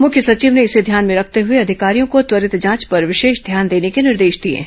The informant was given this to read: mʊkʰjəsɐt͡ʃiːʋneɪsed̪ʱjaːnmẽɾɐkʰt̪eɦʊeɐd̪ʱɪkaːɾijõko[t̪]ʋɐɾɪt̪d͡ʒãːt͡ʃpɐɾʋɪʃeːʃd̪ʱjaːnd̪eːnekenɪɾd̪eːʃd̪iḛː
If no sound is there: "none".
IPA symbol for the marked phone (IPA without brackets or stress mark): t̪